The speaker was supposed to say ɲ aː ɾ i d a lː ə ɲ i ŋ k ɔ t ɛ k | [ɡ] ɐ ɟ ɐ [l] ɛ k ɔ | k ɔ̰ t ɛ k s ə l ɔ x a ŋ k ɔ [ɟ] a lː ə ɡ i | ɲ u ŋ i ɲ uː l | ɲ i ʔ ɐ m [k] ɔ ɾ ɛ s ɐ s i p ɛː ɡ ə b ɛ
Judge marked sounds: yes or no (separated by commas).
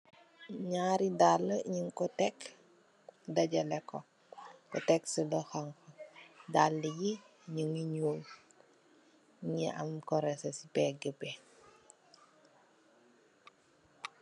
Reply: no, yes, no, yes